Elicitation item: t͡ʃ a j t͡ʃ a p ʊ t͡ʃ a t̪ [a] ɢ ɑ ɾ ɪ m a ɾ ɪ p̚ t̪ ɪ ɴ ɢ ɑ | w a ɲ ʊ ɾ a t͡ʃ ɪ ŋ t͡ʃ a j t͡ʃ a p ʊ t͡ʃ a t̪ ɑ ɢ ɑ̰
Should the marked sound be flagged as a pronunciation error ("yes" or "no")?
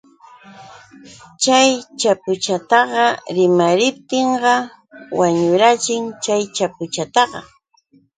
yes